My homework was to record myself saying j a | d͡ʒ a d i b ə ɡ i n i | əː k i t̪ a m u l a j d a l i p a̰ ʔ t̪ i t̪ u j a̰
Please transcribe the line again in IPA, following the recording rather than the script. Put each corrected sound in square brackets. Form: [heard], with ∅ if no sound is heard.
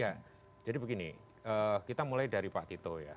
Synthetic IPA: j a | d͡ʒ a d i b ə ɡ i n i | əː k i t̪ a m u l a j d a [ɾ] i p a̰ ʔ t̪ i t̪ [o] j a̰